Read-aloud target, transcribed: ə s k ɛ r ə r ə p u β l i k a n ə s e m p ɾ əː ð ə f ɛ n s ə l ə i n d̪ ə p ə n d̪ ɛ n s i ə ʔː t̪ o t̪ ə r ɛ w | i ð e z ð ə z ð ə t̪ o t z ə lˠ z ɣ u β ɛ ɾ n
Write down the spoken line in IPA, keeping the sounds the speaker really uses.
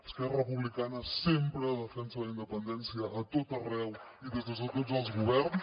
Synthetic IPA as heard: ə s k ɛ r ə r ə p u β l i k a n ə s e m p ɾ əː ð ə f ɛ n s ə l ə i n d̪ ə p ə n d̪ ɛ n s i ə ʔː t̪ o t̪ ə r ɛ w | i ð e z ð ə z ð ə t̪ o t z ə lˠ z ɣ u β ɛ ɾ n